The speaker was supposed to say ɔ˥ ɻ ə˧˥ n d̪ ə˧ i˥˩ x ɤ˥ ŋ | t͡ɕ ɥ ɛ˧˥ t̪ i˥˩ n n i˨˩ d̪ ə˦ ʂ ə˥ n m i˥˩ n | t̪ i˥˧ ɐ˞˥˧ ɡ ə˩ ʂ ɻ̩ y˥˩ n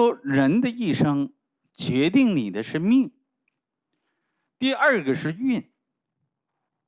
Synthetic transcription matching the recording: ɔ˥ ɻ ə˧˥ n d̪ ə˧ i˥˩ ʂ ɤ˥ ŋ | t͡ɕ ɥ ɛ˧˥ t̪ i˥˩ ŋ n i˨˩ d̪ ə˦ ʂ ə˥ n m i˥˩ ŋ | t̪ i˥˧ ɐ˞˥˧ ɡ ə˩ ʂ ɻ̩ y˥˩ n